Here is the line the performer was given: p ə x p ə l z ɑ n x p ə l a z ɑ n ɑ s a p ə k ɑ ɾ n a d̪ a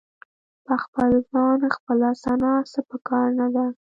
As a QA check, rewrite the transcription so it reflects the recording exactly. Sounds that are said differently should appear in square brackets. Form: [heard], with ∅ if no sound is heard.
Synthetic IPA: p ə x p ə l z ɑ n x p ə l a [s] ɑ n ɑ s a p ə k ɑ ɾ n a d̪ a